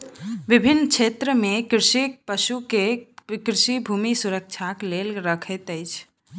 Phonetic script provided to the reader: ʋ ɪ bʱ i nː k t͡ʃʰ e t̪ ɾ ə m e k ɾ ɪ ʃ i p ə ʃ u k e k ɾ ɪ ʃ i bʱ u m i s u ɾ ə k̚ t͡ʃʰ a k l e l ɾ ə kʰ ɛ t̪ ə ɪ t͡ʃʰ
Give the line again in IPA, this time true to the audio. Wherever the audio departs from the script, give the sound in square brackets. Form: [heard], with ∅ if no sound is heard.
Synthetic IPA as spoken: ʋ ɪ bʱ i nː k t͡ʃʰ e t̪ ɾ ə m e k ɾ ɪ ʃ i p ə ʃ u k e k ɾ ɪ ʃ i bʱ u m i s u ɾ ə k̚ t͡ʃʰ a k l e l ɾ ə kʰ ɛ t̪ ə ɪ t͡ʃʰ